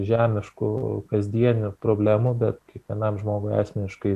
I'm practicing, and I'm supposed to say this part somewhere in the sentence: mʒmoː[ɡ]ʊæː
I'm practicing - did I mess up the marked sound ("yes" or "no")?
no